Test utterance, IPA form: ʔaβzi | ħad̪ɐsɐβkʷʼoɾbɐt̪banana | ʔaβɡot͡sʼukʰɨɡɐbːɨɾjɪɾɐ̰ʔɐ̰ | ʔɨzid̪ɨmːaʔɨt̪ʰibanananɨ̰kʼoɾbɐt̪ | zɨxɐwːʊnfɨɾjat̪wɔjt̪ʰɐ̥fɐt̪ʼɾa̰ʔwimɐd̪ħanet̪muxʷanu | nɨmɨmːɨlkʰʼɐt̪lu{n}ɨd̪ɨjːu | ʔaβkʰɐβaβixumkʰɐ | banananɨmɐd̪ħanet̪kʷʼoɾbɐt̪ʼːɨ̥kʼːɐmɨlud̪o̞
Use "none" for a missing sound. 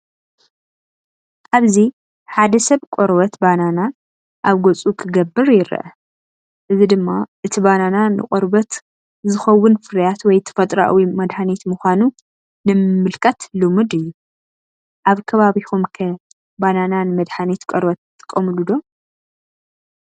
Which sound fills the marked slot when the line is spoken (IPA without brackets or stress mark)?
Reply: m